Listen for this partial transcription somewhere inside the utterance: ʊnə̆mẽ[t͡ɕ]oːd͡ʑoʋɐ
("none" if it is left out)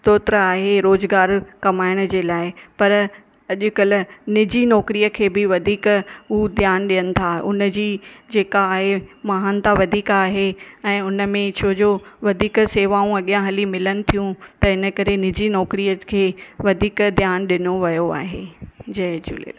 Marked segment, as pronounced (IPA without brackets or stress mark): t͡ɕʰ